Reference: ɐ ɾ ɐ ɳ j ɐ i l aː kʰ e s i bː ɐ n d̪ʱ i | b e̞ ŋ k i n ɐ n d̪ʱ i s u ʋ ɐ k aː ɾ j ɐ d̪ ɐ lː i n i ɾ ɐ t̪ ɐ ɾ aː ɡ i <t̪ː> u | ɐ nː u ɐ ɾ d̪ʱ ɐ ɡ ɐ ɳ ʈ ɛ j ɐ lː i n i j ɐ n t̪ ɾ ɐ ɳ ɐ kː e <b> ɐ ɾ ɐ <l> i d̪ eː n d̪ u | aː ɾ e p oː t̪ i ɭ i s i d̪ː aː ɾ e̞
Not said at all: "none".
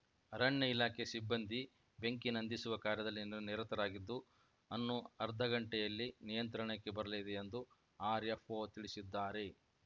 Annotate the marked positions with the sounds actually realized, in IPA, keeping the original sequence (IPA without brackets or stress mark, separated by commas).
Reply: d̪ː, b, l